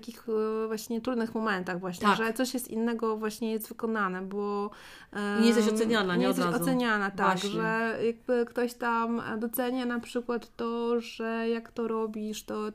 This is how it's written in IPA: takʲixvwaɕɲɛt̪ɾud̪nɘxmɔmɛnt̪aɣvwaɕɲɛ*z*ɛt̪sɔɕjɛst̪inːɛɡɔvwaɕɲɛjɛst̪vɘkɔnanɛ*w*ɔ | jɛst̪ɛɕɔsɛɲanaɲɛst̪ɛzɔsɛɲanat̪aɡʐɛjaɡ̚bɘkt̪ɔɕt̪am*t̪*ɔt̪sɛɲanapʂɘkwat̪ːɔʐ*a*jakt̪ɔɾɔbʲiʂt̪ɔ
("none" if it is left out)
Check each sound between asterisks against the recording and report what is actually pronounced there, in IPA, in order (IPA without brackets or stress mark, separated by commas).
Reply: ʐ, b, d̪, ɛ